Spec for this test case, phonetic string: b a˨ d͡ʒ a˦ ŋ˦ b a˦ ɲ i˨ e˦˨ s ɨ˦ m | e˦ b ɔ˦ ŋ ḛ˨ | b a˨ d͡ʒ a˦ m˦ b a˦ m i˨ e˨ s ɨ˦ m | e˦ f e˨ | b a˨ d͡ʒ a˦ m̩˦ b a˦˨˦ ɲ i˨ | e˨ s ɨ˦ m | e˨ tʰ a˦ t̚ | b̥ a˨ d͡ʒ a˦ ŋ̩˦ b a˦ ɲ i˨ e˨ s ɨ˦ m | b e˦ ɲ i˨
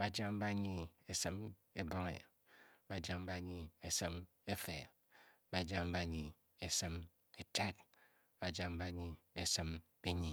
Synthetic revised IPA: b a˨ d͡ʒ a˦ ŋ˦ b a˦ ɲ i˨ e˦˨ s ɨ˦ m | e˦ b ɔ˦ ŋ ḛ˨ | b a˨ d͡ʒ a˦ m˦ b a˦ ɲ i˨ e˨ s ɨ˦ m | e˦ f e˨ | b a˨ d͡ʒ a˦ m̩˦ b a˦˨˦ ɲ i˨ | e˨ s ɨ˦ m | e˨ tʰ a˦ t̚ | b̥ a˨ d͡ʒ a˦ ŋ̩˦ b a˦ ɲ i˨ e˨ s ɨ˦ m | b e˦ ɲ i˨

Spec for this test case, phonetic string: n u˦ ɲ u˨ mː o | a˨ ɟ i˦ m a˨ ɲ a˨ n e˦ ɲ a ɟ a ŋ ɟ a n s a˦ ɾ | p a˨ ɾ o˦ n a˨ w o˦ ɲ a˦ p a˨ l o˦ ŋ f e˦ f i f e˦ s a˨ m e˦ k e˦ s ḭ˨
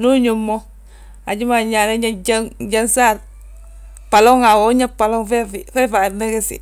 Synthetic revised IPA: n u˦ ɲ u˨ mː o | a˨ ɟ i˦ m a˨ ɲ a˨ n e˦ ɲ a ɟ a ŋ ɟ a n s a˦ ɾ | p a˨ l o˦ ŋ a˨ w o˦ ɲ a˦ p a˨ l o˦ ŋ f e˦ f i f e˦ f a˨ n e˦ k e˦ s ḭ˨

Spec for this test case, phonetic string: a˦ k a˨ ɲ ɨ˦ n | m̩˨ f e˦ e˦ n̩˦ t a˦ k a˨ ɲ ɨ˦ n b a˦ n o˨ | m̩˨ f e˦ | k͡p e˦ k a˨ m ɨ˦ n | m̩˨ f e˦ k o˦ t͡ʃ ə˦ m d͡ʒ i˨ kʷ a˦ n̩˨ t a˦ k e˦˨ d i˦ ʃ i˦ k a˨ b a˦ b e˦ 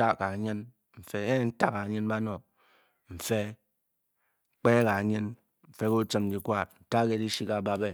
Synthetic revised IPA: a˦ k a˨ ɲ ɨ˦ n | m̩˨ f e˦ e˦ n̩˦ t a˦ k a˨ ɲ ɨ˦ n b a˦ n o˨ | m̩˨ f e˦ | k͡p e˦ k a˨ ɲ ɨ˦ n | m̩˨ f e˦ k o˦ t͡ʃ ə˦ m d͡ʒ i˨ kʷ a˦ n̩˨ t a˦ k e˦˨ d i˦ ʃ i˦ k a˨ b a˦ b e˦

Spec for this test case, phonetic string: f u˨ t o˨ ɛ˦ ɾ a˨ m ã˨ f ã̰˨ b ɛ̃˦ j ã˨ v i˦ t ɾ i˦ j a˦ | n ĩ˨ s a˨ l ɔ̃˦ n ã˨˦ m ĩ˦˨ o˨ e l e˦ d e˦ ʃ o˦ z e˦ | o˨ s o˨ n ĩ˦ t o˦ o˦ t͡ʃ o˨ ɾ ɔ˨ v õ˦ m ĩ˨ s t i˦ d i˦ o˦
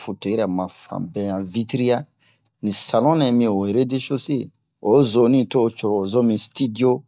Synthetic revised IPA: f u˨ t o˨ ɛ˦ ɾ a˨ m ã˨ f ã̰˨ b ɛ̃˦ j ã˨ v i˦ t ɾ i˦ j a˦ | n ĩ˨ s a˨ l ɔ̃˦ n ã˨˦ m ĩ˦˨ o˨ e ɾ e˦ d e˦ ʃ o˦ s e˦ | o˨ z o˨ n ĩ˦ t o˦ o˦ t͡ʃ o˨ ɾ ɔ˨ z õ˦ m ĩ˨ s t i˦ d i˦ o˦

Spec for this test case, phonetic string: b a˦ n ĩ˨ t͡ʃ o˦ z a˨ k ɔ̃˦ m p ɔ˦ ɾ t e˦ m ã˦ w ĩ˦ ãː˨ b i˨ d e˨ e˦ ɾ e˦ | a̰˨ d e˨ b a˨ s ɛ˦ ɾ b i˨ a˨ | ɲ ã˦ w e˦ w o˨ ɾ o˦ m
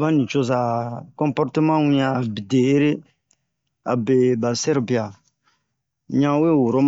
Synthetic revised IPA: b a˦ n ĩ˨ t͡ʃ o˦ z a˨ k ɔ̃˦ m p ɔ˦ ɾ t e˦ m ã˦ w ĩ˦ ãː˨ b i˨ d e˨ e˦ ɾ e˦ | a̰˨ b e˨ b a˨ s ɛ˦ ɾ b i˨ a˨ | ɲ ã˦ w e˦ w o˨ ɾ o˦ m

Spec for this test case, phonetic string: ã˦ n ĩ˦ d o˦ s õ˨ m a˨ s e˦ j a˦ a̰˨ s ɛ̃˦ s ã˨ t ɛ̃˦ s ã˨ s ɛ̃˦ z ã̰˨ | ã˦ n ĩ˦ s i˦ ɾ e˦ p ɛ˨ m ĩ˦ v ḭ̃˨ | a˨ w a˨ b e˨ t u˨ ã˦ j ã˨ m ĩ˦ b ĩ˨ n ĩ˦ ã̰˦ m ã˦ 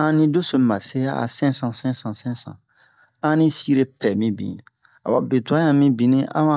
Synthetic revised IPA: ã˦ n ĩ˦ d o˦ s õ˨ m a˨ s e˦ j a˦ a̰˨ s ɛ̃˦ s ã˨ s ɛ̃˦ s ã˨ s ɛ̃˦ s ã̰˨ | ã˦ n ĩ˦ s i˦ ɾ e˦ p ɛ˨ m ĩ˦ b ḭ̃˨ | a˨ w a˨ b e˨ t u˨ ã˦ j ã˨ m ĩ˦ b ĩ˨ n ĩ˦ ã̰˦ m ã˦

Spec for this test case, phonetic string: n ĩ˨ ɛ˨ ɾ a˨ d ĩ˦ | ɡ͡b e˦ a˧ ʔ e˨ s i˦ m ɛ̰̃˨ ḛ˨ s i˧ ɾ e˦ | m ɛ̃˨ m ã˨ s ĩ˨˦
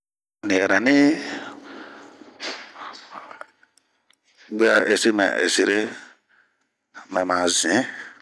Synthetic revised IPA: n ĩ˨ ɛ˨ ɾ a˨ n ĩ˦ | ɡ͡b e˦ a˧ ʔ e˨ s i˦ m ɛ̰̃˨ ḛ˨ s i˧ ɾ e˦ | m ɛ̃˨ m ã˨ z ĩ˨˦

